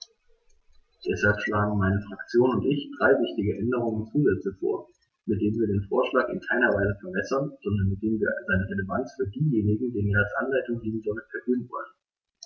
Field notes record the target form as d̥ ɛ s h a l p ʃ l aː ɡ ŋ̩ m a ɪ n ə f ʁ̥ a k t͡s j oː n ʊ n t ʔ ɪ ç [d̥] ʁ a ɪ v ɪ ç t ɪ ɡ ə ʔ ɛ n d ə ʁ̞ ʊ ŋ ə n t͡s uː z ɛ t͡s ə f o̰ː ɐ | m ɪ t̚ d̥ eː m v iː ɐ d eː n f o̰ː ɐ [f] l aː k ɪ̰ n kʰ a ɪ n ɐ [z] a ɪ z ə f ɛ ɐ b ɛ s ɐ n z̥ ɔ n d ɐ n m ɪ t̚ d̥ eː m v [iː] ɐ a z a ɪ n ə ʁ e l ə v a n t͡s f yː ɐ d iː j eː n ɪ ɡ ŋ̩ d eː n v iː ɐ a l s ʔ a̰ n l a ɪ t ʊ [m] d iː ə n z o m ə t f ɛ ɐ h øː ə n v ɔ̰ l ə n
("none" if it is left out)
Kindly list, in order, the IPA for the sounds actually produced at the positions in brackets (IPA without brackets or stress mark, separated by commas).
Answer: d̥, ʃ, v, iː, ŋ